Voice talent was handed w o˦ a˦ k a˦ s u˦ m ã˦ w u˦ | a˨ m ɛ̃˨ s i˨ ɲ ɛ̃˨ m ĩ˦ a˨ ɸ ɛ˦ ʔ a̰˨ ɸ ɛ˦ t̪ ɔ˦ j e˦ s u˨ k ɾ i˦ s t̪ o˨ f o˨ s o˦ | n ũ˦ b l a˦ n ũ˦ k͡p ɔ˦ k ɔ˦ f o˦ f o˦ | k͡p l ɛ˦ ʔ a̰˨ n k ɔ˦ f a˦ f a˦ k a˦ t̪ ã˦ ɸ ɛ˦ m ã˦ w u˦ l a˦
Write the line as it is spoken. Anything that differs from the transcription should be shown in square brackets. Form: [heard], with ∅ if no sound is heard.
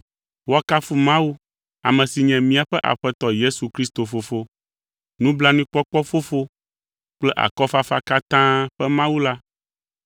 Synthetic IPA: w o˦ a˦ k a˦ [f] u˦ m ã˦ w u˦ | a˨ m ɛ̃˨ s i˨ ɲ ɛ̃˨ m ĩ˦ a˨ ɸ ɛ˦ ʔ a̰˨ ɸ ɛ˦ t̪ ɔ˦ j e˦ s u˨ k ɾ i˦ s t̪ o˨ f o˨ [f] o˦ | n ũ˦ b l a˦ n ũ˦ k͡p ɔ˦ [k͡p] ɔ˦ f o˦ f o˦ | k͡p l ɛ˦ ʔ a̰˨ [∅] k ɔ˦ f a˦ f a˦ k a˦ t̪ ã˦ ɸ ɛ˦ m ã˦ w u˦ l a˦